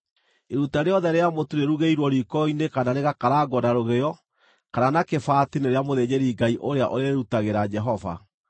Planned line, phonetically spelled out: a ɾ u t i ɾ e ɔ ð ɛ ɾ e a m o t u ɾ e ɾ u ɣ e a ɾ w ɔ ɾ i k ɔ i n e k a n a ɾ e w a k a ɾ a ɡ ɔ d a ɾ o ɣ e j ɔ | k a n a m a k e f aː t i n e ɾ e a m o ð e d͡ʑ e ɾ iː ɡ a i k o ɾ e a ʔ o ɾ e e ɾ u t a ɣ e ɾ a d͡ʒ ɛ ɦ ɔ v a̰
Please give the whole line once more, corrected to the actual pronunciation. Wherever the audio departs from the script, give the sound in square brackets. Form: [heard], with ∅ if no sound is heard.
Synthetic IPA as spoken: [e] ɾ u t [a] ɾ e ɔ ð ɛ ɾ e a m o t u ɾ e ɾ u ɣ e [i] ɾ w ɔ ɾ i k ɔ i n e k a n a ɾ e [ɣ] a k a ɾ a ɡ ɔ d a ɾ o ɣ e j ɔ | k a n a [n] a k e f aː t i n e ɾ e a m o ð e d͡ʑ e ɾ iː ɡ a i [ʔ] o ɾ e a ʔ o ɾ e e ɾ u t a ɣ e ɾ a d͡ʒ ɛ ɦ ɔ v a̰

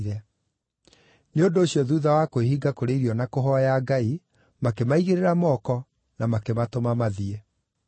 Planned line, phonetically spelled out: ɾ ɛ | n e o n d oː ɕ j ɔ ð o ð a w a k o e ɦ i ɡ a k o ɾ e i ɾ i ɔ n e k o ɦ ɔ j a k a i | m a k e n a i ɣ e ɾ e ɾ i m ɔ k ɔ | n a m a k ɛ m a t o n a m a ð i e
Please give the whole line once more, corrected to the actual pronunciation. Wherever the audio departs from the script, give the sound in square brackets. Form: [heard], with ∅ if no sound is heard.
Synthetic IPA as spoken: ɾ ɛ | n e o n d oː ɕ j ɔ ð [u] ð a w a k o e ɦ i ɡ a k o ɾ e i ɾ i ɔ n [a] k o ɦ ɔ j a [ɡ] a i | m a k e [m] a i ɣ e ɾ e ɾ [a] m ɔ k ɔ | n a m a k [e] m a t o [m] a m a ð i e

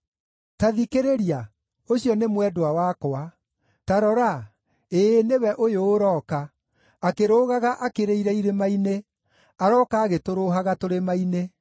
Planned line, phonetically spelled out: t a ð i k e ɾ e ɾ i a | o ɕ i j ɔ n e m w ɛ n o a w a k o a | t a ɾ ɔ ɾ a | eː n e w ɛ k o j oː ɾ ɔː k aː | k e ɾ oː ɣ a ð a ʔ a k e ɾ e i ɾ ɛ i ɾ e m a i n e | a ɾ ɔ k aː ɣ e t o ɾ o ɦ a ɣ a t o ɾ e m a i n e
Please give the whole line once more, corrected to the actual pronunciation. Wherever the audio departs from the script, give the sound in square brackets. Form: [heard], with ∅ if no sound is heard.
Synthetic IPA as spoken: t a ð i k e ɾ e ɾ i a | o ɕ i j ɔ n e m w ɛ [d] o a w a k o a | t a ɾ ɔ ɾ a | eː n e w ɛ [ʔ] o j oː ɾ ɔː k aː | k e ɾ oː ɣ a [ɣ] a ʔ a k e ɾ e i ɾ ɛ i ɾ e m a i n e | a ɾ ɔ k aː ɣ e t o ɾ o ɦ a ɣ a t o ɾ e m a i n e

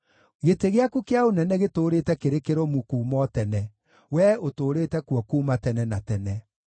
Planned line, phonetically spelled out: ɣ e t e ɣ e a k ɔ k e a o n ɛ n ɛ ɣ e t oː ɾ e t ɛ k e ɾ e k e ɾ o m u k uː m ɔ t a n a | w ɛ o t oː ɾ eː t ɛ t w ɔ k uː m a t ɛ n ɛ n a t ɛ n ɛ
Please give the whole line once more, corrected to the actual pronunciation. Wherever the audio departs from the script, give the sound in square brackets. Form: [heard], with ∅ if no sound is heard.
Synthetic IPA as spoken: ɣ e t e ɣ e a k [u] k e a o n ɛ n ɛ ɣ e t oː ɾ e t ɛ k e ɾ e k e ɾ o m u k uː m ɔ t [ɛ] n [ɛ] | w ɛ o t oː ɾ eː t ɛ [k] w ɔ k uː m a t ɛ n ɛ n a t ɛ n ɛ

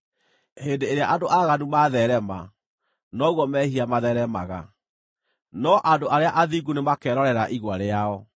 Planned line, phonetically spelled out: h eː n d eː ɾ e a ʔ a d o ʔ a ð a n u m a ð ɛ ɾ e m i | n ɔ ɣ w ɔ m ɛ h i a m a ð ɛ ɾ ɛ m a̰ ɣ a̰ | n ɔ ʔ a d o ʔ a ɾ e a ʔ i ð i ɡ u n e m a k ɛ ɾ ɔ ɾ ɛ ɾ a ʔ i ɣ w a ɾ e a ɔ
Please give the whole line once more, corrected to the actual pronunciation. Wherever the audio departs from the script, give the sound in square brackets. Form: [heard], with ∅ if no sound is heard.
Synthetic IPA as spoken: h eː n d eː ɾ e a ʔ a d o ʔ a [ɣ] a n u m a ð ɛ ɾ [ɛ] m [a] | n ɔ ɣ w ɔ m ɛ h i a m a ð ɛ ɾ ɛ m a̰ ɣ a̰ | n ɔ ʔ a d o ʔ a ɾ e a ʔ [a] ð i ɡ u n e m a k ɛ ɾ ɔ ɾ ɛ ɾ a ʔ i ɣ w a ɾ e a ɔ

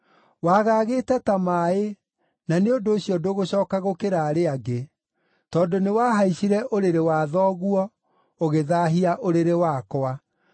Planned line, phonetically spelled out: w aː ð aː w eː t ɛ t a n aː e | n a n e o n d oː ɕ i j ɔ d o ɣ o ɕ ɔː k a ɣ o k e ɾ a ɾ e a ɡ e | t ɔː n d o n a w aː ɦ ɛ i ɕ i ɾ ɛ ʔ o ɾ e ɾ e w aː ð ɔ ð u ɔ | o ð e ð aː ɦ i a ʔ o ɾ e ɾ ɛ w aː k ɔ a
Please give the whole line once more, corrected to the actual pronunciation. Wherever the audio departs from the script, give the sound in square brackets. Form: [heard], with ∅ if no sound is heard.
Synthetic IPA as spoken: w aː [ɣ] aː [ɣ] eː t ɛ t a [m] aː e | n a n e o n d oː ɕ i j ɔ d o ɣ o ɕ ɔː k a ɣ o k e ɾ a ɾ e a ɡ e | t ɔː n d o n [e] w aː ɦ [a] i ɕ i ɾ ɛ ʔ o ɾ e ɾ e w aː ð ɔ [ɣ] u ɔ | o [ɣ] e ð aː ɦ i a ʔ o ɾ e ɾ [e] w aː k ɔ a

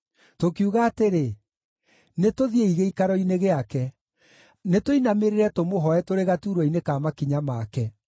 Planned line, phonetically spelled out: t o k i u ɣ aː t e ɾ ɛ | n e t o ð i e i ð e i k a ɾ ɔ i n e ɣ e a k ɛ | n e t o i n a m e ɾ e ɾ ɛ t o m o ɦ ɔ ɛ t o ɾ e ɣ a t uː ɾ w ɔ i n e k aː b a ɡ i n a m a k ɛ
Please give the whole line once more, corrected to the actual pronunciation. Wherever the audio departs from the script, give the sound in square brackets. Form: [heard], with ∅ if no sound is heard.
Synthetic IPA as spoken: t o k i u ɣ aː t e ɾ [e] | n e t o ð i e i [ɣ] e i k a ɾ ɔ i n e ɣ e a k ɛ | n e t o i n a m e ɾ e ɾ ɛ t o m o ɦ ɔ ɛ t o ɾ e ɣ a t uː ɾ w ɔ i n e k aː [m] a [k] i [ɲ] a m a k ɛ

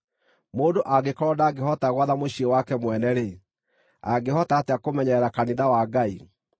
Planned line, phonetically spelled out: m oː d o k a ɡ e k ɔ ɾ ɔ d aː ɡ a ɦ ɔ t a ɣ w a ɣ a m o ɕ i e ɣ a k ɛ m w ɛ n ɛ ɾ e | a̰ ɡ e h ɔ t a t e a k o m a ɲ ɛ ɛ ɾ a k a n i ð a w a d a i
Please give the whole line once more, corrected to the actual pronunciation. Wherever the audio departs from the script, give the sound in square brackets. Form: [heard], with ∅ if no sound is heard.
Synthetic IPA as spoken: m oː d o [ʔ] a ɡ e k ɔ ɾ ɔ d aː ɡ [e] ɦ ɔ t a ɣ w a [ð] a m o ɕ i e [w] a k ɛ m w ɛ n ɛ ɾ e | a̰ ɡ e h ɔ t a t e a k o m [ɛ] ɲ ɛ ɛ ɾ a k a n i ð a w a [ɡ] a i

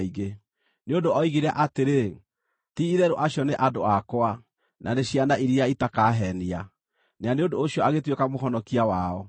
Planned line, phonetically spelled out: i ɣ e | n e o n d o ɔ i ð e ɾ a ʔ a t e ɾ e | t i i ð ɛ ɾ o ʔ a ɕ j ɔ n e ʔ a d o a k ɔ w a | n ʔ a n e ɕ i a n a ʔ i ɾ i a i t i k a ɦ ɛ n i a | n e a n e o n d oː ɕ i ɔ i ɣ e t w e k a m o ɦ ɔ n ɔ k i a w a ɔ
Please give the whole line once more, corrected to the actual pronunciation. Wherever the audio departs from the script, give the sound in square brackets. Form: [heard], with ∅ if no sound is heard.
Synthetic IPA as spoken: i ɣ e | n e o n d o ɔ i [ɣ] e ɾ a ʔ a t e ɾ e | t i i ð ɛ ɾ o ʔ a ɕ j ɔ n e ʔ a d o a k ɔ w a | n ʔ a n e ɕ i a n a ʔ i ɾ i a i t [a] k a ɦ ɛ n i a | n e a n e o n d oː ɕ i ɔ [a] ɣ e t w e k a m o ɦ ɔ n ɔ k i a w a ɔ

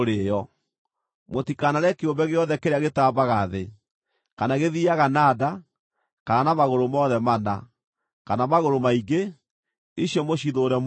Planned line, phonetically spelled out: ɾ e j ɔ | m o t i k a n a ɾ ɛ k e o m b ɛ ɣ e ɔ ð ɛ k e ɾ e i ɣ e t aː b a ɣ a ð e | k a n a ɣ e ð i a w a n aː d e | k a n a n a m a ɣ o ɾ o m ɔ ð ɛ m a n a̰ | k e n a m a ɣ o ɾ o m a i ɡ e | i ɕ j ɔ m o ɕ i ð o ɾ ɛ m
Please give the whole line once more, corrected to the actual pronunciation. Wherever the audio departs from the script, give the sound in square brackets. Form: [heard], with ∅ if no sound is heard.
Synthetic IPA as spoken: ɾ e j ɔ | m o t i k a n a ɾ ɛ k e o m b ɛ ɣ e ɔ ð ɛ k e ɾ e [a] ɣ e t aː b a ɣ a ð e | k a n a ɣ e ð i a [ɣ] a n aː d [a] | k a n a n a m a ɣ o ɾ o m ɔ ð ɛ m a n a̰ | k [a] n a m a ɣ o ɾ o m a i ɡ e | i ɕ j ɔ m o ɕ i ð o ɾ ɛ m

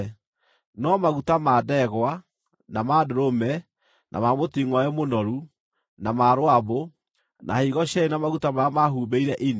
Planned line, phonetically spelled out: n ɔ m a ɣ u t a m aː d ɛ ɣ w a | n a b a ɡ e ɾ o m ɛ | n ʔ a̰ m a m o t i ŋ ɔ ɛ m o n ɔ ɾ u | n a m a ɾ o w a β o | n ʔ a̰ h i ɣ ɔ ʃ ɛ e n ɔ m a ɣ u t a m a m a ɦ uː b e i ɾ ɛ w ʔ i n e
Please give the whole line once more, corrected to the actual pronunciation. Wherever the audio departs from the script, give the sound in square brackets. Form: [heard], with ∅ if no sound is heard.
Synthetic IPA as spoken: n ɔ m a ɣ u t a m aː d ɛ ɣ w a | n a [m] a [d] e ɾ o m ɛ | n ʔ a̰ m a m o t i ŋ ɔ ɛ m o n ɔ ɾ u | n a m a ɾ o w a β o | n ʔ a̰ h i ɣ ɔ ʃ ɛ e n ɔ m a ɣ u t a m a m a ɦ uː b e i ɾ ɛ [∅] ʔ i n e

